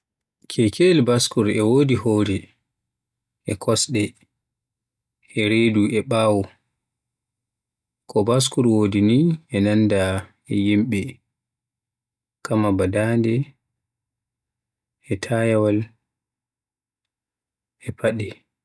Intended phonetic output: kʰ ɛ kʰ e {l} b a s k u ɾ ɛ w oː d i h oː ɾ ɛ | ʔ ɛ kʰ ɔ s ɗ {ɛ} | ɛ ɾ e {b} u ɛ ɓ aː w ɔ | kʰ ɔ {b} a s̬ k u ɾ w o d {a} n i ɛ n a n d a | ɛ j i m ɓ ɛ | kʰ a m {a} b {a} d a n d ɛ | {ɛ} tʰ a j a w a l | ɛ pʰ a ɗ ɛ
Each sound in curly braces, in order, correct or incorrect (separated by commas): correct, correct, incorrect, correct, incorrect, correct, correct, correct